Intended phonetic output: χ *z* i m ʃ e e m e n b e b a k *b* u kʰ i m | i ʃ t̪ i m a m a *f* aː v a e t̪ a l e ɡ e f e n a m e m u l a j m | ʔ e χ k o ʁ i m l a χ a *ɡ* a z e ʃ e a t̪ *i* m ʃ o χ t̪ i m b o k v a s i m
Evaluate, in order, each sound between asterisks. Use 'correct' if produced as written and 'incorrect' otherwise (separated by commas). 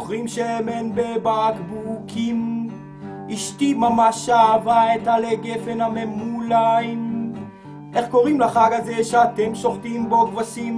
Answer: incorrect, correct, incorrect, correct, incorrect